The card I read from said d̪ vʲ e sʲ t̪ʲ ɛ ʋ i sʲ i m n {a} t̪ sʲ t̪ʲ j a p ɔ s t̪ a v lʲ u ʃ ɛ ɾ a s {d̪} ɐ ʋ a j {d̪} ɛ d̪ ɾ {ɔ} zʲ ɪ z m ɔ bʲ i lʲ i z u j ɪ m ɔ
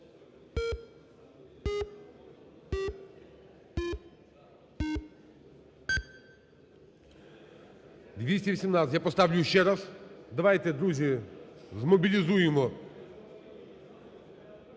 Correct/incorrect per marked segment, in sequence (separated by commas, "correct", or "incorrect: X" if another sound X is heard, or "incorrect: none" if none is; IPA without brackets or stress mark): correct, correct, incorrect: t̪, incorrect: u